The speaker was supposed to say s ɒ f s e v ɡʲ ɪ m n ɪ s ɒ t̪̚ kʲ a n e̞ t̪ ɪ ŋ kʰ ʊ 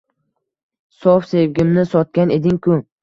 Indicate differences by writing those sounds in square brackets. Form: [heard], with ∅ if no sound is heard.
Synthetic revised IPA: s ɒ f s e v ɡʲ ɪ m n ɪ s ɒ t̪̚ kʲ a n e̞ [d̪] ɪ ŋ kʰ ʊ